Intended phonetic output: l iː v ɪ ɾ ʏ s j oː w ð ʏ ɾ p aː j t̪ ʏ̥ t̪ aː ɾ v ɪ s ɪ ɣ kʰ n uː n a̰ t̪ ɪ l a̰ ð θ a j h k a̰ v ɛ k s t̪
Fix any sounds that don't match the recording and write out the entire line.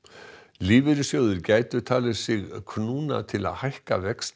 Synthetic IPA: l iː v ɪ ɾ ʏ s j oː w ð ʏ ɾ c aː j t̪ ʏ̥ t̪ʰ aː l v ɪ s ɪ ɣ kʰ n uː n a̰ t̪ʰ ɪ l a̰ ð h a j h k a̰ v ɛ k s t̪